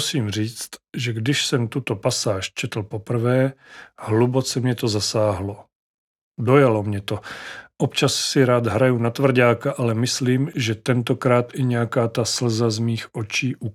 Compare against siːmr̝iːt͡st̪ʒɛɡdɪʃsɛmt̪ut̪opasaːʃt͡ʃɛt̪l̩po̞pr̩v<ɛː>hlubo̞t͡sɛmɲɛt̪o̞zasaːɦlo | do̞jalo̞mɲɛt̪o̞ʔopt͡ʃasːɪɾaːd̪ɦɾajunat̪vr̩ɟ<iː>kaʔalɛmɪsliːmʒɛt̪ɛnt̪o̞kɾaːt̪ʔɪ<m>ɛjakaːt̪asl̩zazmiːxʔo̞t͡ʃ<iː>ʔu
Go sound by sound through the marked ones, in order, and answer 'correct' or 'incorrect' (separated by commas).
correct, incorrect, incorrect, correct